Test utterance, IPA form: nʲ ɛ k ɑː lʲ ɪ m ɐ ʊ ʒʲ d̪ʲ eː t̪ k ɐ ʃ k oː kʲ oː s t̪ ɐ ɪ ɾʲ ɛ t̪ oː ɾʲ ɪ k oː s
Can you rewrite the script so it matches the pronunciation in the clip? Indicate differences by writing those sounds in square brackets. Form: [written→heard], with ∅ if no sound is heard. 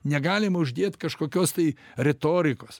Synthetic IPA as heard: nʲ ɛ [k→ɡ] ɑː lʲ ɪ m ɐ ʊ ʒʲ d̪ʲ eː t̪ k ɐ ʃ k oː kʲ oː s t̪ ɐ ɪ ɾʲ ɛ t̪ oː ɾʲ ɪ k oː s